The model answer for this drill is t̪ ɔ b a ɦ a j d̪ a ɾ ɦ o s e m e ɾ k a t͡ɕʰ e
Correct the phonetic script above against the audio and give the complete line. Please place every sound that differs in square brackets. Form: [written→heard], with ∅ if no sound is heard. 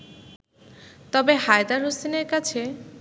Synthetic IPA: t̪ ɔ b [a→e] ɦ a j d̪ a ɾ ɦ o s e [m→n] e ɾ k a t͡ɕʰ e

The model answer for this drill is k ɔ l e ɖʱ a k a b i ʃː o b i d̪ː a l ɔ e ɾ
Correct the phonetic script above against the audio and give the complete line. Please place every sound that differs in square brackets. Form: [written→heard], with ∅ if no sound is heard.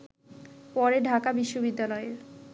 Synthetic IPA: [k→p] ɔ [l→ɾ] e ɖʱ a k a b i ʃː o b i d̪ː a l ɔ e ɾ

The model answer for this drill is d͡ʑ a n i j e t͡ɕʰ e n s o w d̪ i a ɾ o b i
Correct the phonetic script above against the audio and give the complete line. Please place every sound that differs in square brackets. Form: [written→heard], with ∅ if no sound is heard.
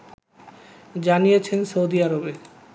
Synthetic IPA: d͡ʑ a n i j e t͡ɕʰ e n s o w d̪ i a ɾ o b [i→e]

